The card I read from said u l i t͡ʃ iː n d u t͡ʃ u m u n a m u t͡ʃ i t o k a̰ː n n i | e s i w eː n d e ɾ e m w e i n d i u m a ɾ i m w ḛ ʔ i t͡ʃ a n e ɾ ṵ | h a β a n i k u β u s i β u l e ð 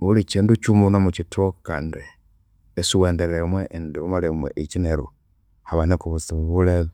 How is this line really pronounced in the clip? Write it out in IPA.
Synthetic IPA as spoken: u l i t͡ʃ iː n d u t͡ʃ u m u n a m u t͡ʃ i t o k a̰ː n d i | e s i w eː n d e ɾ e m w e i n d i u m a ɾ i m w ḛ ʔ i t͡ʃ i n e ɾ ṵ | h a β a n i k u β u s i β u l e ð